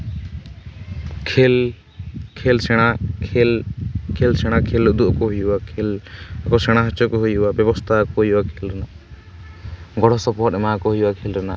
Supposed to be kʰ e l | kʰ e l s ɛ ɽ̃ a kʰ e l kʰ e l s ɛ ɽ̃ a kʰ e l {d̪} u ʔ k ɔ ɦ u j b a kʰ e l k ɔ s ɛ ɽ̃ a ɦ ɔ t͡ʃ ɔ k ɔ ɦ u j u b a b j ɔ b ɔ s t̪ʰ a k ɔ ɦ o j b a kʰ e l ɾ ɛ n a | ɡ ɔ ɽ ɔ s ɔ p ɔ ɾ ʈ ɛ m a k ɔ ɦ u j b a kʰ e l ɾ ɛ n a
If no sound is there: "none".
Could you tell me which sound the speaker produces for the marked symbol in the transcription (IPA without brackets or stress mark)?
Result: d̪